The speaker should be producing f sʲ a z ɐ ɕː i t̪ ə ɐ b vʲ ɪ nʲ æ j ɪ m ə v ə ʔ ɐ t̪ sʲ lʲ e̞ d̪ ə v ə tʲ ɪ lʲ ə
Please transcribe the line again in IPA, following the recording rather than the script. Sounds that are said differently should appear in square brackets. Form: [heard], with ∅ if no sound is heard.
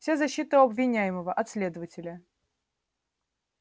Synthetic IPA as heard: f sʲ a z ɐ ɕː i t̪ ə ɐ b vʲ ɪ nʲ æ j ɪ m ə v ə ʔ ɐ t̪ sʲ lʲ e̞ d̪ ə v ə tʲ ɪ lʲ ə

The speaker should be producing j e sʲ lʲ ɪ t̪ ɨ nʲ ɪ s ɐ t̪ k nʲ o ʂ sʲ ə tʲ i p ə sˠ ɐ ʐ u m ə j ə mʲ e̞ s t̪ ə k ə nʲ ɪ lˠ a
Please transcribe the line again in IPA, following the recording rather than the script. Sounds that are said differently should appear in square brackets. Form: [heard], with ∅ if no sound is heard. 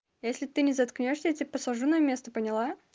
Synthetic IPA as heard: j e sʲ lʲ ɪ t̪ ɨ nʲ ɪ [z] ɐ t̪ k nʲ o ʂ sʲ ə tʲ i p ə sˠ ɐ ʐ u [n] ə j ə mʲ e̞ s t̪ ə [p] ə nʲ ɪ lˠ a

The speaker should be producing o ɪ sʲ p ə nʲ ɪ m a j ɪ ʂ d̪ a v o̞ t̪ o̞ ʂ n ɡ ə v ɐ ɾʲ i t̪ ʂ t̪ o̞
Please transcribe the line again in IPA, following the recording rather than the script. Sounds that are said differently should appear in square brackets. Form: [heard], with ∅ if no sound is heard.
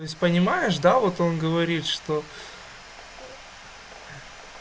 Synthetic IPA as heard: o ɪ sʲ p ə nʲ ɪ m a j ɪ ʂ d̪ a v o̞ t̪ o̞ [∅] n ɡ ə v ɐ ɾʲ i t̪ ʂ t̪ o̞

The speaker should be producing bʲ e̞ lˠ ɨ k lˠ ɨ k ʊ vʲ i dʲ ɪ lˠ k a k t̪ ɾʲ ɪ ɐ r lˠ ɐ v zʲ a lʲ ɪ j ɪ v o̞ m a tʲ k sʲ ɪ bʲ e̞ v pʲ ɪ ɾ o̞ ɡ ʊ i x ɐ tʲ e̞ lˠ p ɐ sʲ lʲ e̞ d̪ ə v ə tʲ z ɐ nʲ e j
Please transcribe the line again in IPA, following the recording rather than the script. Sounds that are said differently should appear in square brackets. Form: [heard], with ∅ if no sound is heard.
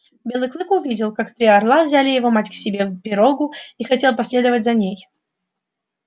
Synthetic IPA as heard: bʲ e̞ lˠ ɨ k lˠ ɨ k ʊ vʲ i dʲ ɪ lˠ k a k t̪ ɾʲ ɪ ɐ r lˠ [a] v zʲ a lʲ ɪ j ɪ v o̞ m a tʲ k sʲ ɪ bʲ e̞ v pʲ ɪ ɾ o̞ ɡ ʊ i x ɐ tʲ e̞ lˠ p ɐ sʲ lʲ e̞ d̪ ə v ə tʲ z ɐ nʲ e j

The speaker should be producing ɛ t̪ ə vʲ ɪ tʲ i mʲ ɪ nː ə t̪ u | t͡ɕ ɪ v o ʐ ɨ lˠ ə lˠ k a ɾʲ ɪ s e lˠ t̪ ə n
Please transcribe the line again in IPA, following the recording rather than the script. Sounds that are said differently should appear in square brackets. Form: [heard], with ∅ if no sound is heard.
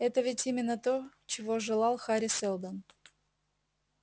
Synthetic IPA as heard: ɛ t̪ ə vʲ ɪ tʲ i mʲ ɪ nː ə t̪ [o] | t͡ɕ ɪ v o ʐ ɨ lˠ [ɑ] lˠ [x] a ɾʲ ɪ s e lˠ [d̪] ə n

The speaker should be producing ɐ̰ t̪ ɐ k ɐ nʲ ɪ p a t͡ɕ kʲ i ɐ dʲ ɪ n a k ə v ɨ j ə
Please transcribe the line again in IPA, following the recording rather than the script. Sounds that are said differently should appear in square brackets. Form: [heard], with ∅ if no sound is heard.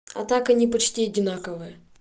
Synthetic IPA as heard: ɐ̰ t̪ [a] k ɐ nʲ [i] p [ɐ] t͡ɕ [tʲ] i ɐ dʲ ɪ n a k ə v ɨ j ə

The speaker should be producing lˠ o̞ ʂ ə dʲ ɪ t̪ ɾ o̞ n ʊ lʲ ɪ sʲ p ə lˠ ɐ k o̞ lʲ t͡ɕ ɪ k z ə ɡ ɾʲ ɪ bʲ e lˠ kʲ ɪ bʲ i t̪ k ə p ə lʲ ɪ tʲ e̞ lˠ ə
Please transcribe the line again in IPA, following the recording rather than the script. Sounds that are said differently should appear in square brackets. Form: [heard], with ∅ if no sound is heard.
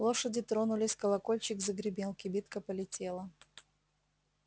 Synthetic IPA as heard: lˠ o̞ ʂ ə dʲ ɪ t̪ ɾ o̞ n ʊ lʲ ɪ sʲ [k] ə lˠ ɐ k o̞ lʲ t͡ɕ ɪ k z ə ɡ ɾʲ ɪ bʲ e lˠ kʲ ɪ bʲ i t̪ k ə p ə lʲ ɪ tʲ e̞ lˠ ə

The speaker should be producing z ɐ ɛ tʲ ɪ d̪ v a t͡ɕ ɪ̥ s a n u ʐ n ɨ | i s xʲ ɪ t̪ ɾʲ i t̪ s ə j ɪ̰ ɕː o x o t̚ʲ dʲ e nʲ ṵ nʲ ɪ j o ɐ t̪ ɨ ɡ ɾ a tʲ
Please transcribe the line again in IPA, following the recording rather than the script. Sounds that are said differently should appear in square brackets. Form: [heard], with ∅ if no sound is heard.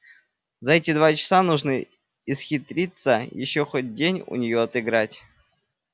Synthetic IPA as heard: z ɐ ɛ tʲ ɪ d̪ v a t͡ɕ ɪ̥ s a n u ʐ n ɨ | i s xʲ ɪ t̪ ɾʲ i t̪ s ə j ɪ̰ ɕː o x o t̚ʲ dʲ e nʲ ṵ nʲ ɪ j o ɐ t̪ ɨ ɡ ɾ a tʲ

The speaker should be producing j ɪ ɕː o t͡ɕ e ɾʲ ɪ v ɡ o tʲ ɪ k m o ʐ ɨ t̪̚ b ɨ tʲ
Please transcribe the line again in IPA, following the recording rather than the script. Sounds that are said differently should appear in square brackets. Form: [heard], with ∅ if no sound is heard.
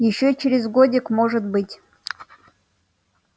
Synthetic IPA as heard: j ɪ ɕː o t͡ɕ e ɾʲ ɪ [z] ɡ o [dʲ] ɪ k m o ʐ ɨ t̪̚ b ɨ tʲ

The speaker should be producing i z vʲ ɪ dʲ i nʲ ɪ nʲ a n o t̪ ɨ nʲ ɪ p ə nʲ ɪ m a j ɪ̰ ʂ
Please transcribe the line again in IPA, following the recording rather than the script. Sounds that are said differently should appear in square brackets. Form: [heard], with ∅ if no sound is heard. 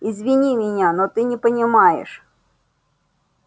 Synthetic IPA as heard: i z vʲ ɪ [nʲ] i [mʲ] ɪ nʲ a n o t̪ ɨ nʲ ɪ p ə nʲ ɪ m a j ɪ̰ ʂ

